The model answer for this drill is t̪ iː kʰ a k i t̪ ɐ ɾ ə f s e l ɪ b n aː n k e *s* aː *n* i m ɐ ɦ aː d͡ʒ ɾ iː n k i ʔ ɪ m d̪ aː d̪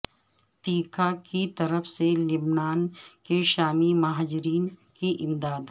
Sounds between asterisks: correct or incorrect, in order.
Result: incorrect: ʃ, incorrect: m

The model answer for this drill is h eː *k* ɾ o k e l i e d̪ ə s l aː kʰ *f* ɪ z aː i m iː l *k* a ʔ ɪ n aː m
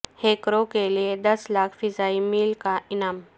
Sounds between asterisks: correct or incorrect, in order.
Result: correct, correct, correct

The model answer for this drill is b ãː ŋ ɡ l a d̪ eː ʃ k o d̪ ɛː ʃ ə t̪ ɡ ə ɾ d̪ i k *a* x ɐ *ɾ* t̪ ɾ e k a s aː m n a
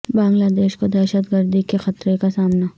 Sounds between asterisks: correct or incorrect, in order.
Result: incorrect: e, incorrect: none

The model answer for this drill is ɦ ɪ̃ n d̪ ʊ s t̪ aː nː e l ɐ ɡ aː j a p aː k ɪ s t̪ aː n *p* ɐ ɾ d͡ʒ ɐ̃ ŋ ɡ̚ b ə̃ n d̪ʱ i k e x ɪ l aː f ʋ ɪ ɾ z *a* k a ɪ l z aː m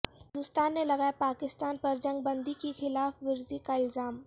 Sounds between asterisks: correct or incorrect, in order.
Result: correct, incorrect: i

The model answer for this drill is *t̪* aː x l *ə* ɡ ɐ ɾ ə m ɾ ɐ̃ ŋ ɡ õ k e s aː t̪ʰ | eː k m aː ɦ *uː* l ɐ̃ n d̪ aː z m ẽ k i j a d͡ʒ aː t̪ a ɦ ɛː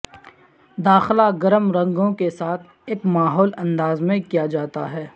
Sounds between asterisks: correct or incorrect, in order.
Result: incorrect: d̪, incorrect: a, incorrect: ɔː

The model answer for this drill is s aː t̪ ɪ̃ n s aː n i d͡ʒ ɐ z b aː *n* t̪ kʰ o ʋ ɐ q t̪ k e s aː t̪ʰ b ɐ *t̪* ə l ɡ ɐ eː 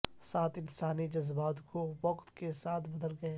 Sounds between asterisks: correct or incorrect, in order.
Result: incorrect: none, incorrect: d̪

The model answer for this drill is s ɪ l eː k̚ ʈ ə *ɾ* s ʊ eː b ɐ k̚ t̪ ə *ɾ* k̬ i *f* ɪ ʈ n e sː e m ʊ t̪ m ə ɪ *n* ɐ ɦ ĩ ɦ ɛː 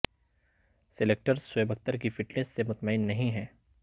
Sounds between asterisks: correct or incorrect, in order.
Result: correct, correct, correct, incorrect: nː

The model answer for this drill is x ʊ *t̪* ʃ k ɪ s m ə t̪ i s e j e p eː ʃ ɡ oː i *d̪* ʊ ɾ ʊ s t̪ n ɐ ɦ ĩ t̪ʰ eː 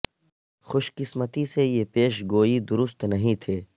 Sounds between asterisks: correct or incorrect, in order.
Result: incorrect: none, correct

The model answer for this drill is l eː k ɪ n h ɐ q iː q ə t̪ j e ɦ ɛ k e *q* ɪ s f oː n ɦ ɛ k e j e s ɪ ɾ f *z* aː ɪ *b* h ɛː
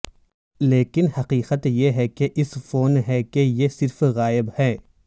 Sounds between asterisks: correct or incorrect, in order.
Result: incorrect: ʔ, incorrect: ɣ, correct

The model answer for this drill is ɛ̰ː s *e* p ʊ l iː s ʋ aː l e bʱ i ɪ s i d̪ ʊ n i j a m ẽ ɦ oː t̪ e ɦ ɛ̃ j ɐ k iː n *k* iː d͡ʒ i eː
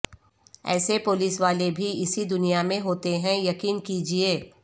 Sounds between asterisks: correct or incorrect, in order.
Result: correct, correct

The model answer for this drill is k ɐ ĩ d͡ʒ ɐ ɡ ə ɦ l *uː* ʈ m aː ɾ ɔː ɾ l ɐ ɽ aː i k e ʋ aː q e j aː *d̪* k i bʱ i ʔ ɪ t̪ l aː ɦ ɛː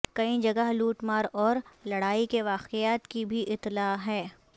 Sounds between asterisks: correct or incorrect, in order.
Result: correct, incorrect: t̪

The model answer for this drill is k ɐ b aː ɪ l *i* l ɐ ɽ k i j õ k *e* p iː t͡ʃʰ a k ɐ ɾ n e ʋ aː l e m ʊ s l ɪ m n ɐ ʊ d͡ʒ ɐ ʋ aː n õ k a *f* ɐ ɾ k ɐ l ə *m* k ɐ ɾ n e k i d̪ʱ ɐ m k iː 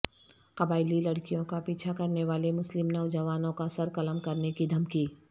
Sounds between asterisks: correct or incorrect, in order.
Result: correct, incorrect: a, incorrect: s, correct

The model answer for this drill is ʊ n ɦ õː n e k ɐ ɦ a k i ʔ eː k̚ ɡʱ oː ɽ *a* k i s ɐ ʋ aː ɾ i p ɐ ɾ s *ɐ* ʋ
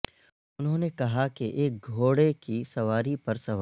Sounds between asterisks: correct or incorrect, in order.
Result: incorrect: e, correct

